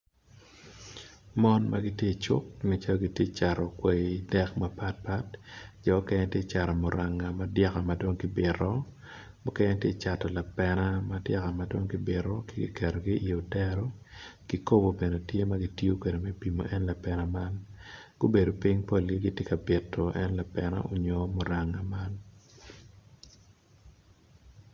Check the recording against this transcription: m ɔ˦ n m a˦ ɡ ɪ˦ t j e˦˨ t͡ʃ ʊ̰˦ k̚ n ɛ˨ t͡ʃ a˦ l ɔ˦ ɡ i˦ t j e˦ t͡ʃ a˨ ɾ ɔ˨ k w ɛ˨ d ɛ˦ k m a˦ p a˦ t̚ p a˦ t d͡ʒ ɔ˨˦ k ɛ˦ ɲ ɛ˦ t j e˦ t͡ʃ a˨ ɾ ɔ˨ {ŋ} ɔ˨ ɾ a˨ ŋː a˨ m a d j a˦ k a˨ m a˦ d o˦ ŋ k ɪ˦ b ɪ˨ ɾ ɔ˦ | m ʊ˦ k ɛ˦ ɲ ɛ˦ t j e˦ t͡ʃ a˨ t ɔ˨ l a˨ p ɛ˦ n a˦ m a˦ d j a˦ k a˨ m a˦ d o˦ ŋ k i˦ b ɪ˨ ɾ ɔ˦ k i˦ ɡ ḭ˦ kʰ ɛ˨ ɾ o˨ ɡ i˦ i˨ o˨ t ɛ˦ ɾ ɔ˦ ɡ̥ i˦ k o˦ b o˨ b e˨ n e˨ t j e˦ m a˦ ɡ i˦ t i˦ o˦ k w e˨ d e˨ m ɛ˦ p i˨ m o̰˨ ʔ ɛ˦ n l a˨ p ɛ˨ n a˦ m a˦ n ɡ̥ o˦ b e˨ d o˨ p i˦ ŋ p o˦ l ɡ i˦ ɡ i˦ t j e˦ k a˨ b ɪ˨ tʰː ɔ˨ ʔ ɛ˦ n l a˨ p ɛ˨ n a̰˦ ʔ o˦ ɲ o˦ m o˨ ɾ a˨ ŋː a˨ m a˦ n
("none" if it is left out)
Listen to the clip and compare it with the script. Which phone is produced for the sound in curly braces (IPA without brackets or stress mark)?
m